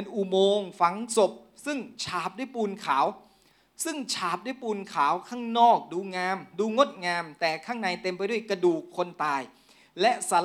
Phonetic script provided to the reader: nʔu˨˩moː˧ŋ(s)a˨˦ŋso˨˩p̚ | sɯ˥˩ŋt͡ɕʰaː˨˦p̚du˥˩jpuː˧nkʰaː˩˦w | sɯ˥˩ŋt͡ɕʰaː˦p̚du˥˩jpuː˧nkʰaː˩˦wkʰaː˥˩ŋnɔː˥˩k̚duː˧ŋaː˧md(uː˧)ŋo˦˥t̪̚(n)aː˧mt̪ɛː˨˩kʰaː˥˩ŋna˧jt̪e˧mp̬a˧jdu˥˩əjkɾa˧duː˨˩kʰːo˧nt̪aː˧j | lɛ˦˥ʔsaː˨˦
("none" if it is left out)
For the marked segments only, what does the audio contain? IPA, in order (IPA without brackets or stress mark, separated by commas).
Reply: f, uː˧, ŋ